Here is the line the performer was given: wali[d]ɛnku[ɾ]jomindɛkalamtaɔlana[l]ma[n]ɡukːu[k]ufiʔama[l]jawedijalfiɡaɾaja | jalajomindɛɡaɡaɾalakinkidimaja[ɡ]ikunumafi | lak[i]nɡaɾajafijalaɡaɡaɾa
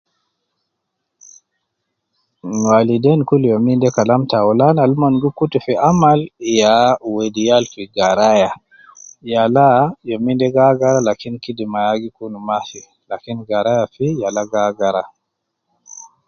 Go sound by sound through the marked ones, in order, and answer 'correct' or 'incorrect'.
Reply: correct, incorrect: l, correct, correct, incorrect: t, correct, correct, correct

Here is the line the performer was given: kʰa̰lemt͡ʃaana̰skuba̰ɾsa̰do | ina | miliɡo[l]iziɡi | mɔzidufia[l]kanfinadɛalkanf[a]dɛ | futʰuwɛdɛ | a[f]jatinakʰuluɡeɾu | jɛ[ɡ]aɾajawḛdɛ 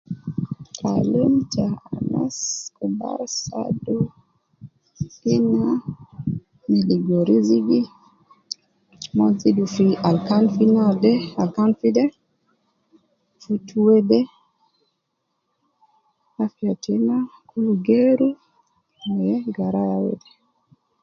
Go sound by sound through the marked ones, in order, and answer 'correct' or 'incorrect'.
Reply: incorrect: ɾ, correct, incorrect: i, correct, correct

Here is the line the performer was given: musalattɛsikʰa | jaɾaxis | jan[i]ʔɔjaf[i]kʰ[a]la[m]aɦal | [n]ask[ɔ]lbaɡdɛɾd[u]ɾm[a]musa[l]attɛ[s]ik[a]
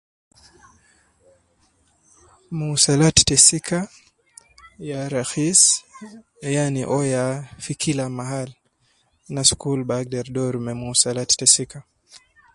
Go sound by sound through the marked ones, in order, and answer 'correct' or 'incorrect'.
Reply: correct, correct, incorrect: i, correct, correct, incorrect: u, incorrect: ɔ, incorrect: ɛ, correct, correct, correct

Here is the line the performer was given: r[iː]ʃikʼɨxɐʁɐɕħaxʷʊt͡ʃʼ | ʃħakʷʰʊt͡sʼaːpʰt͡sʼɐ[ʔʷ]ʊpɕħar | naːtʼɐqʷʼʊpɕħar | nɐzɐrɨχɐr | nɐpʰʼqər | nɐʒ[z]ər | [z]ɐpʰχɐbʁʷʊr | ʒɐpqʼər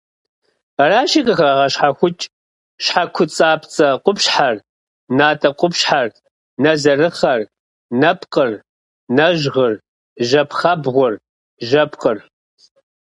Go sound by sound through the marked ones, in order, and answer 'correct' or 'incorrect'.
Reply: incorrect: aː, incorrect: qʷ, incorrect: ʁ, incorrect: ʒ

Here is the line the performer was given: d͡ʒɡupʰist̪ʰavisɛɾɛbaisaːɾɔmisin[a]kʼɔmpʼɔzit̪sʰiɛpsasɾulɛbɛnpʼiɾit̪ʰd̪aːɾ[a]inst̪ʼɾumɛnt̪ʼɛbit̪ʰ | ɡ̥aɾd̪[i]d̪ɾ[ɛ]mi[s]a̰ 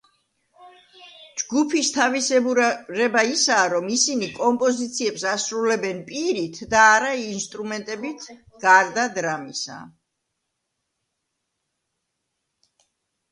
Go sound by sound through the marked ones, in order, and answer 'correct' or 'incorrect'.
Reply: incorrect: i, correct, incorrect: a, incorrect: a, correct

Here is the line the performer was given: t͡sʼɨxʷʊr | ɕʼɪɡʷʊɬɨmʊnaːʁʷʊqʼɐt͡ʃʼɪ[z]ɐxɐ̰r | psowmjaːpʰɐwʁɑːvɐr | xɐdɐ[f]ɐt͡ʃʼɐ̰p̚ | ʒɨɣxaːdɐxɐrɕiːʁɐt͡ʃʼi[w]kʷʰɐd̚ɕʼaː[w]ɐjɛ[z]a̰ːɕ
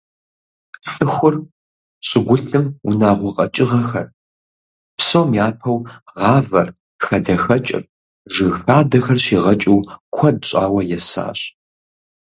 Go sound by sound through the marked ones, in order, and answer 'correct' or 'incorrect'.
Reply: incorrect: ʁ, incorrect: x, correct, correct, incorrect: s

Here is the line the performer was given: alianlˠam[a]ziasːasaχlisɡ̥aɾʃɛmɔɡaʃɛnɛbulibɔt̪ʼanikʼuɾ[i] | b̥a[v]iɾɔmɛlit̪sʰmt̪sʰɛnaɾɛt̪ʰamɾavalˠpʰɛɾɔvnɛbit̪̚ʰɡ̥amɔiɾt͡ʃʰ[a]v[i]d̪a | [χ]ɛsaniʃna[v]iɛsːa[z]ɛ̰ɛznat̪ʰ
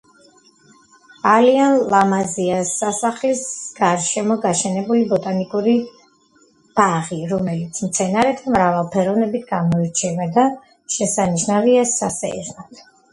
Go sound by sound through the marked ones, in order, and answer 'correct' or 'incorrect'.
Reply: correct, correct, incorrect: ʁ, incorrect: ɛ, incorrect: a, incorrect: ʃ, correct, incorrect: s

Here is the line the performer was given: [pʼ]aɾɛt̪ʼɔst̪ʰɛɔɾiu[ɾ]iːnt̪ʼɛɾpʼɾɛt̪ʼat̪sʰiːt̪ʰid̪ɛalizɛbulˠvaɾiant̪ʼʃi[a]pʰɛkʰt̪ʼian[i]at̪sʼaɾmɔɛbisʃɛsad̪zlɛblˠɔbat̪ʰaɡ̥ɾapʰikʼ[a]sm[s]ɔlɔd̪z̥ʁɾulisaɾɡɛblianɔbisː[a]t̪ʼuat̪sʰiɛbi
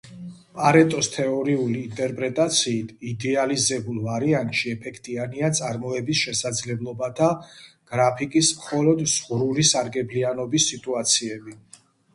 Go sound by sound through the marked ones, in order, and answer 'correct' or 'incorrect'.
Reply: correct, incorrect: l, incorrect: ɛ, correct, incorrect: i, incorrect: χ, incorrect: i

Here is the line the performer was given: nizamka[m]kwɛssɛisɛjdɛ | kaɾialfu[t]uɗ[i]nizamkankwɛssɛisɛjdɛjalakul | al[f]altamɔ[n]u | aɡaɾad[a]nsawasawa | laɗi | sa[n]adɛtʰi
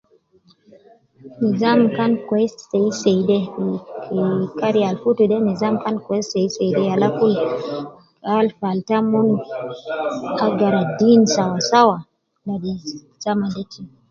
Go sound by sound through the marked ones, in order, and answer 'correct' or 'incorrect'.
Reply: incorrect: n, correct, incorrect: ɛ, correct, correct, incorrect: i, incorrect: m

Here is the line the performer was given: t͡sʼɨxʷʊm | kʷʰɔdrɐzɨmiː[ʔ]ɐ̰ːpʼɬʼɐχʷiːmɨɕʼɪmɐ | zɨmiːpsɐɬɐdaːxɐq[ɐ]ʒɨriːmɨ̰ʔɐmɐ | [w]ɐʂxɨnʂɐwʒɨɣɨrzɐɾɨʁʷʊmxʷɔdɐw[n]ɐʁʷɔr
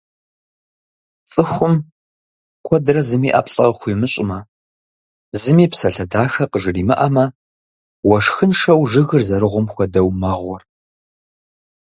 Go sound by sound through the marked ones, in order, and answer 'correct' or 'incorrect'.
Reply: correct, incorrect: ə, correct, incorrect: m

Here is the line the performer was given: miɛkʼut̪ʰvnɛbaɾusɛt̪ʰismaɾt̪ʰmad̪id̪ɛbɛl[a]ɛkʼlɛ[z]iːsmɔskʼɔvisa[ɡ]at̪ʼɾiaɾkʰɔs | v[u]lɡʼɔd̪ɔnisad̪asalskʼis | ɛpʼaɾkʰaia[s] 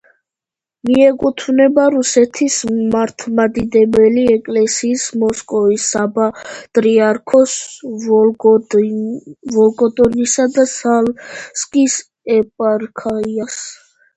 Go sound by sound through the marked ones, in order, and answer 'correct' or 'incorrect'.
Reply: incorrect: i, incorrect: s, incorrect: b, incorrect: ɔ, correct

